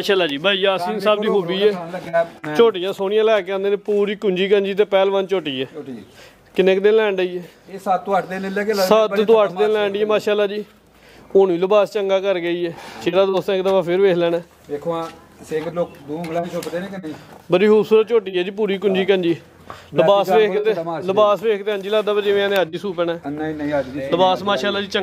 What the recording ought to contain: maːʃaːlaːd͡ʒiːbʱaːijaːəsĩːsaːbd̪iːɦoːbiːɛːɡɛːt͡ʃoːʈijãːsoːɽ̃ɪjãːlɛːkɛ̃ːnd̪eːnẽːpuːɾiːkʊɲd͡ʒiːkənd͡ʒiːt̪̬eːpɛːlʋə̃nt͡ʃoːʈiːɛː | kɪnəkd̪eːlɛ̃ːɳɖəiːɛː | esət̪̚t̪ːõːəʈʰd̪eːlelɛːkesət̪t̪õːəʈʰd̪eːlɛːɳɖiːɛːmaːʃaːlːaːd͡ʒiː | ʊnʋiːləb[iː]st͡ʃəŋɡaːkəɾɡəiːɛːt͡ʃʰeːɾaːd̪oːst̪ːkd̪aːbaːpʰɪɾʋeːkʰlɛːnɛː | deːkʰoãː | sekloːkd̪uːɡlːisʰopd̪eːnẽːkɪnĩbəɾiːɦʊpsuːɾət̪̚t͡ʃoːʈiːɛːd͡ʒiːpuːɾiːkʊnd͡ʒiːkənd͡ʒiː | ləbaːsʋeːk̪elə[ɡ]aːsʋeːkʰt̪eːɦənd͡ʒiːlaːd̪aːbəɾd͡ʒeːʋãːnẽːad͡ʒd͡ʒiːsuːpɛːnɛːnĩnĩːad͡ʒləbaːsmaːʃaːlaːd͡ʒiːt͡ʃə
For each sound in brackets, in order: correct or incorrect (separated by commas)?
incorrect, incorrect